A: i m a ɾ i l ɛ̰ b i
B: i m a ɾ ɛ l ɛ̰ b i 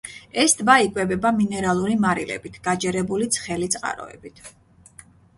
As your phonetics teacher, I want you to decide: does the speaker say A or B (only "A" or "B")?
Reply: A